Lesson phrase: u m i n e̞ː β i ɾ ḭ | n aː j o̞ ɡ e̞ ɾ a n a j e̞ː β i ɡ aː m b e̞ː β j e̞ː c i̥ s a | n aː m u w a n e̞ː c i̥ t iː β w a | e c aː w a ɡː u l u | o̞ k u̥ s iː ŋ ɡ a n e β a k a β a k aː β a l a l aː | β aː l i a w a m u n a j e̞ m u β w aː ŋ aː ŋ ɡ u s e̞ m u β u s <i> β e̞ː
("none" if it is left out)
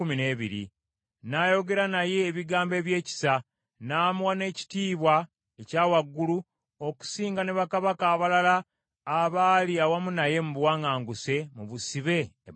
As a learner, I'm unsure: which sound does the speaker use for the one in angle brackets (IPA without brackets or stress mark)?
i